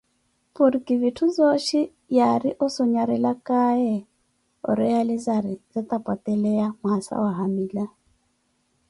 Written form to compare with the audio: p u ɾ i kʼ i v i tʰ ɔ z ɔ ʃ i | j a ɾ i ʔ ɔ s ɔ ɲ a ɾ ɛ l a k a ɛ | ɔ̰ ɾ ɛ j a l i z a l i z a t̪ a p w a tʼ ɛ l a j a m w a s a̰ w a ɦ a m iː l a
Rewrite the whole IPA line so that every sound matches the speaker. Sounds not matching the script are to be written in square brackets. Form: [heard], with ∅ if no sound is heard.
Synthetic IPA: p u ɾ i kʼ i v i tʰ [u] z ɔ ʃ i | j a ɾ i ʔ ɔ s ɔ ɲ a ɾ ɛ l a k a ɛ | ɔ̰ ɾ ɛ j a l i z a [ɾ] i z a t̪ a p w a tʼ ɛ l [ɛ] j a m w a s a̰ w a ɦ a m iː l a